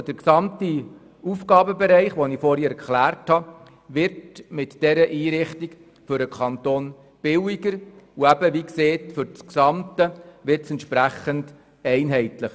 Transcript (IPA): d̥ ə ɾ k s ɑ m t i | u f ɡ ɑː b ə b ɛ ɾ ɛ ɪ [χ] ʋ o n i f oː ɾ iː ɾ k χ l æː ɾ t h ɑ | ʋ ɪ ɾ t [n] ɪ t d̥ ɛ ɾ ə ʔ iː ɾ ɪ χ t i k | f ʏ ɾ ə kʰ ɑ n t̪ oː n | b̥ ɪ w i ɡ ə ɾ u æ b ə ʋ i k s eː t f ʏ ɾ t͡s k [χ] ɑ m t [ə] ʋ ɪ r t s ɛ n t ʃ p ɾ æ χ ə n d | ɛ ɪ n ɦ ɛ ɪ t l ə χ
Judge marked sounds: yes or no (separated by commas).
yes, no, no, yes